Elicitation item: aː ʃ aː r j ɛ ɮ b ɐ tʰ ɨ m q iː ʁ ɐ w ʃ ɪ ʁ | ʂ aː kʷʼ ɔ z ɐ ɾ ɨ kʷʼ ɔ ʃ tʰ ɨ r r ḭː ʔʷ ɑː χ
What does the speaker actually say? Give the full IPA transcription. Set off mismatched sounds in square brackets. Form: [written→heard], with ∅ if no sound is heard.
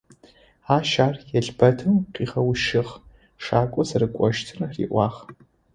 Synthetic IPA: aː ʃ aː r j ɛ ɮ b ɐ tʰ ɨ m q iː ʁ ɐ w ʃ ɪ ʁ | ʂ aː kʷʼ ɔ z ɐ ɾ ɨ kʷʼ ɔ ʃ tʰ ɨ r r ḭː ʔʷ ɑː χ